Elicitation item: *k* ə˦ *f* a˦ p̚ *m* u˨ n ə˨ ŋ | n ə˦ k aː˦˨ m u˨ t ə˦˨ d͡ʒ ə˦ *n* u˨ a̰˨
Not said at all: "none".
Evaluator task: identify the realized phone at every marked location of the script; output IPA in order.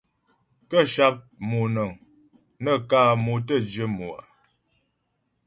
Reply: k, ʃ, m, m

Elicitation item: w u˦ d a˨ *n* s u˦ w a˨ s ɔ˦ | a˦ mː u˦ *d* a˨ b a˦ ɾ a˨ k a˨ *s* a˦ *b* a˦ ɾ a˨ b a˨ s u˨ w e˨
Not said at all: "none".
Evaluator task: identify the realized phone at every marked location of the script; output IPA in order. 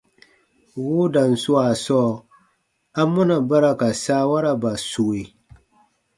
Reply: n, n, s, w

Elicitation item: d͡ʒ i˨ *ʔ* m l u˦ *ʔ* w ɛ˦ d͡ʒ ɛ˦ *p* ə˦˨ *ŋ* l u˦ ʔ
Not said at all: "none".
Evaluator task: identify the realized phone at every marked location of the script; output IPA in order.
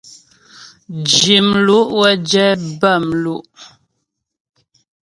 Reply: none, ʔ, b, m

